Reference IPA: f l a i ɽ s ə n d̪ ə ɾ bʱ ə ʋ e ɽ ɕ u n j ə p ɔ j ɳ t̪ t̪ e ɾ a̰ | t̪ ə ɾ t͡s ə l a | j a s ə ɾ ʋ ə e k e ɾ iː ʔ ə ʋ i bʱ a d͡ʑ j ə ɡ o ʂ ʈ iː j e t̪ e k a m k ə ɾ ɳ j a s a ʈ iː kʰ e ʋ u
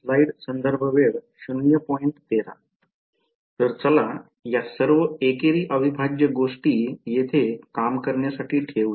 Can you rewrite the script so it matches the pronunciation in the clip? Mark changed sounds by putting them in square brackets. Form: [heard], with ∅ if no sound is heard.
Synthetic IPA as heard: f l a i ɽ s ə n d̪ ə ɾ bʱ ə ʋ e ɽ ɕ u n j ə p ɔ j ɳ t̪ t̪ e ɾ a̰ | t̪ ə ɾ t͡s ə l a | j a s ə ɾ ʋ ə e k e ɾ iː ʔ ə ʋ i bʱ a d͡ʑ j ə ɡ o ʂ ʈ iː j e [t̪ʰ] e k a m k ə ɾ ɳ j a s a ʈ iː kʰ e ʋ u